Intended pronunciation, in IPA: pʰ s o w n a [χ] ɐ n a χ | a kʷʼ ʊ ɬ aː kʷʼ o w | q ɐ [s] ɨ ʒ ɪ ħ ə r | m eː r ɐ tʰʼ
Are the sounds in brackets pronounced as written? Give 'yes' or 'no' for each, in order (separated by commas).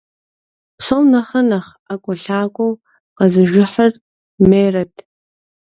yes, no